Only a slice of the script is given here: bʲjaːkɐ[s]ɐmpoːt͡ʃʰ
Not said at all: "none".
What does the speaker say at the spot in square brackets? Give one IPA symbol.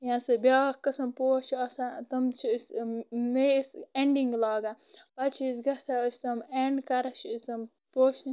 s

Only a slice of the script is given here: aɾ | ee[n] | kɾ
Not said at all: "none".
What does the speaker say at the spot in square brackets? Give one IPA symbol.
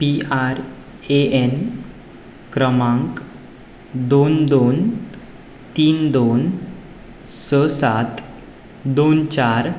n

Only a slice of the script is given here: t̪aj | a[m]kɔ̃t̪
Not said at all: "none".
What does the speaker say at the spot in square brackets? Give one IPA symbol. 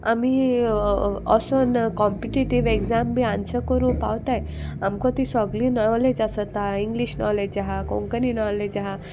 m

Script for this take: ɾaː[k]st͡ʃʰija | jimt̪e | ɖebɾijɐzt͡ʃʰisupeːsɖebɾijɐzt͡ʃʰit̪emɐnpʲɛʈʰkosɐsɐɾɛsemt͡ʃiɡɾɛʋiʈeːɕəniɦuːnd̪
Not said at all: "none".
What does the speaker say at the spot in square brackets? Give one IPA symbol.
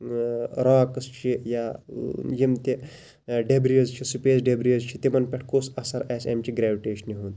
k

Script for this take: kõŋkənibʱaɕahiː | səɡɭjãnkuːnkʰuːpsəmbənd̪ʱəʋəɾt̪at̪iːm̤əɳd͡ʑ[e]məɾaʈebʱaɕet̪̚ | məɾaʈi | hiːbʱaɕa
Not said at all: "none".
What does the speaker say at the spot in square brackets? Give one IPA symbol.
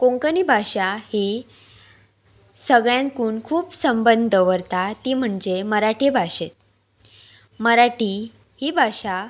e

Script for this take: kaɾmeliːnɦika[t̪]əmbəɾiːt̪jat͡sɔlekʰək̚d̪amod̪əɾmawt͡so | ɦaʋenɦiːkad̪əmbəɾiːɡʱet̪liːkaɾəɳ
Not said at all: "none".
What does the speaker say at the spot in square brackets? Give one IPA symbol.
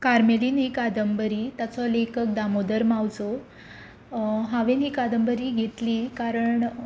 d̪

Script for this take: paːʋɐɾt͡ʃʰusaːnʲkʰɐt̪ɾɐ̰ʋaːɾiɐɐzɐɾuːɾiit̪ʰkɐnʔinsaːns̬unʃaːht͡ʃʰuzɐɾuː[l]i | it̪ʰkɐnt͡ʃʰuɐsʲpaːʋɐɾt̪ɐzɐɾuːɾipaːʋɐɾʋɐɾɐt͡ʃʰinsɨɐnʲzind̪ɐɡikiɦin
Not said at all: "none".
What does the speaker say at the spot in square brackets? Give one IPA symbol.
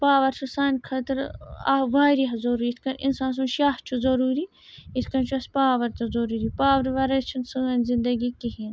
ɾ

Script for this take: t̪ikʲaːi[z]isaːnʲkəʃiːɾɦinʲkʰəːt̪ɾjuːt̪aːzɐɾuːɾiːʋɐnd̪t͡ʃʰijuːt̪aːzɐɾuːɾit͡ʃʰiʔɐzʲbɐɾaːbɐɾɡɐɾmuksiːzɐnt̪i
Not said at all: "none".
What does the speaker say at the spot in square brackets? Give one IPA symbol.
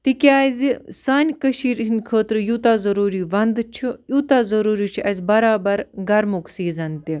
z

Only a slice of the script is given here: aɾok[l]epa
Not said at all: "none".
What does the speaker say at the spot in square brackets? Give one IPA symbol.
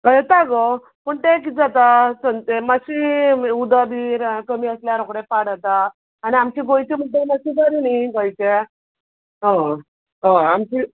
ɽ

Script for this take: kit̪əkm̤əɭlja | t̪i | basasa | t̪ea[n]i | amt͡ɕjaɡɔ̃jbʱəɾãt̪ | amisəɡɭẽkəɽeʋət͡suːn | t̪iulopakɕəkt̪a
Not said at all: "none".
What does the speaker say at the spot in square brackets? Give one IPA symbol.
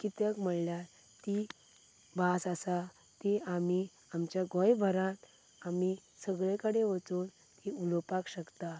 m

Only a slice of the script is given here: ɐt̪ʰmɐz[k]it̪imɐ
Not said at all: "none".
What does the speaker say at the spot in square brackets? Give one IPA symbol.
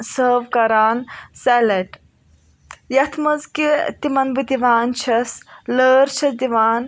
k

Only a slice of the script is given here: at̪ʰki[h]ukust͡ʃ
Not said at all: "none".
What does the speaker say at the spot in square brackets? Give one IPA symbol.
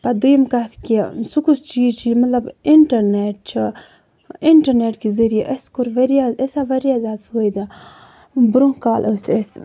s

